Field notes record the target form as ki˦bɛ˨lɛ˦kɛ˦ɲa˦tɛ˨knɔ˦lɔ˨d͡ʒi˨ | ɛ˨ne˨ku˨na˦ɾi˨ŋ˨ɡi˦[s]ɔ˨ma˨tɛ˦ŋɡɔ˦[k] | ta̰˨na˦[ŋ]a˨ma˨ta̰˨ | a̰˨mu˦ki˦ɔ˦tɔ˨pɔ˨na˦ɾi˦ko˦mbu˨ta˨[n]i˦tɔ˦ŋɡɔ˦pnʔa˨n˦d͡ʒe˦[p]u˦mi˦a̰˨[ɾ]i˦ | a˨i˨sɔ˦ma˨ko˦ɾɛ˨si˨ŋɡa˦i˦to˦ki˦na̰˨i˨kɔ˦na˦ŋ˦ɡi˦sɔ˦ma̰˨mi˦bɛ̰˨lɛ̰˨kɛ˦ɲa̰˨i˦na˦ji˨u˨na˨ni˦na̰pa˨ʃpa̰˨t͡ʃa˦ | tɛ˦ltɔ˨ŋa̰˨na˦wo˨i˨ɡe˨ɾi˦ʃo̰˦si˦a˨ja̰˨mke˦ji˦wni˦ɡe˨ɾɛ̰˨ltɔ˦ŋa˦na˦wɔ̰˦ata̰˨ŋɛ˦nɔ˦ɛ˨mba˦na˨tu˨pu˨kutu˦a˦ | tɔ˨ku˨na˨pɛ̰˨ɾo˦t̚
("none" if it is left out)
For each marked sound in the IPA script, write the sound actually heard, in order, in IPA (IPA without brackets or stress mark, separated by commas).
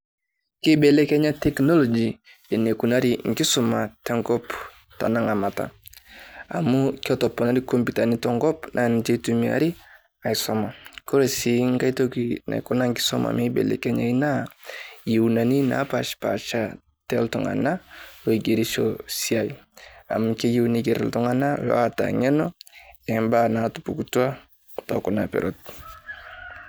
s, p, ŋ, n, t, ɾ